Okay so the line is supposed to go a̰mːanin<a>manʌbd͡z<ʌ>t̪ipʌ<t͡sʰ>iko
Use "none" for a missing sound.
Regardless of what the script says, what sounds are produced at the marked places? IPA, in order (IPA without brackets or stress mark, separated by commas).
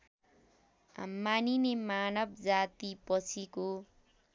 e, a, t͡sʰ